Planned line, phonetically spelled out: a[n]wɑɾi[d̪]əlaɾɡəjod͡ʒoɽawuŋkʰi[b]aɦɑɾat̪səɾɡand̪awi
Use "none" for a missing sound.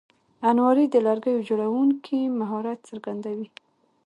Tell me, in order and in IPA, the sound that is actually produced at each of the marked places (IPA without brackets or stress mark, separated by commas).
n, d̪, m